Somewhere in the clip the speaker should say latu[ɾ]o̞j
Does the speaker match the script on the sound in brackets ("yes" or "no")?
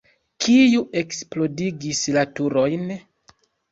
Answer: yes